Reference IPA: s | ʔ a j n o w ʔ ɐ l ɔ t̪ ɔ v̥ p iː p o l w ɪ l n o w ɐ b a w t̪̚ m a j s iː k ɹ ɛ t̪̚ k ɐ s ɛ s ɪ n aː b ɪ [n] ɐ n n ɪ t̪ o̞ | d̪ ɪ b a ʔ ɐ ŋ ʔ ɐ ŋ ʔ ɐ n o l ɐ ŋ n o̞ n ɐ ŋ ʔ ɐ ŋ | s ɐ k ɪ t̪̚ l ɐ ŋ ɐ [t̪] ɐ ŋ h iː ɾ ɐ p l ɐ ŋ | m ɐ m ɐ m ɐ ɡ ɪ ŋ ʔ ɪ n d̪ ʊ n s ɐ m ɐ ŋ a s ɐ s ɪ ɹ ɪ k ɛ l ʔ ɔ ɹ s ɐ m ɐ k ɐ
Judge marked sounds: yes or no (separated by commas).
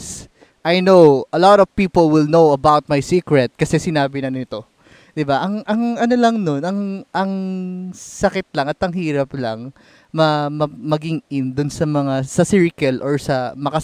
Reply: yes, yes